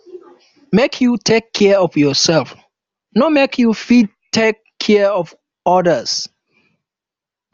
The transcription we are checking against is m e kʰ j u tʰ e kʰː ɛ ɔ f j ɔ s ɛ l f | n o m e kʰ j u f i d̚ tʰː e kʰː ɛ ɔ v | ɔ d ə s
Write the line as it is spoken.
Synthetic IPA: m e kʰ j u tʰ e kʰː ɛ ɔ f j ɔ s ɛ l f | n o m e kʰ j u f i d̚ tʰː e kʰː ɛ ɔ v | ɔ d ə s